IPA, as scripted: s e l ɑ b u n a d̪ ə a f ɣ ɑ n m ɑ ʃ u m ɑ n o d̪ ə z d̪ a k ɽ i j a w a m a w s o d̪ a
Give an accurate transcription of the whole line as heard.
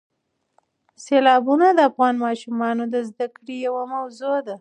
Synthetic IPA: s e l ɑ b u n a d̪ ə a f ɣ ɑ n m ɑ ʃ u m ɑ n o d̪ ə z d̪ a k ɽ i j a w a m a w z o d̪ a